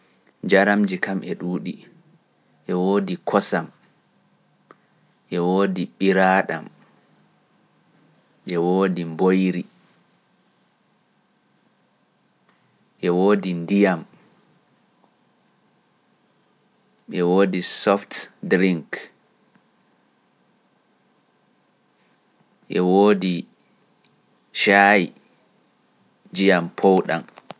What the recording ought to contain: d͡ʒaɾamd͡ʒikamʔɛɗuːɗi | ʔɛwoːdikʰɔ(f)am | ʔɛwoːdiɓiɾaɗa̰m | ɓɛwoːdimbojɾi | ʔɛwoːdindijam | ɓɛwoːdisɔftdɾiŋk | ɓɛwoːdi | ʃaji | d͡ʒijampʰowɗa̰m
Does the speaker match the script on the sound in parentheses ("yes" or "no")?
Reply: no